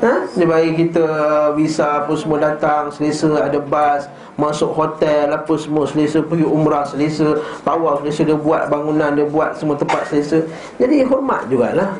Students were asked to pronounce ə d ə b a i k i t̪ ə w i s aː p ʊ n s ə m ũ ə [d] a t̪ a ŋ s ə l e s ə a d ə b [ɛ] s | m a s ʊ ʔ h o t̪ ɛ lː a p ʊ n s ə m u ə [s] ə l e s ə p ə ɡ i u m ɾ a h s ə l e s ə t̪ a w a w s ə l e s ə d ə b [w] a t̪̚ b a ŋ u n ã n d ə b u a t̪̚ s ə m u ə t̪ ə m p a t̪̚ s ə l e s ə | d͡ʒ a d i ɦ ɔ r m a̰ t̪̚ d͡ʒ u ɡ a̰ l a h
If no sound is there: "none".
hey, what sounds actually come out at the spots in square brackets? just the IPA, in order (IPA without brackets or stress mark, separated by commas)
d, a, s, u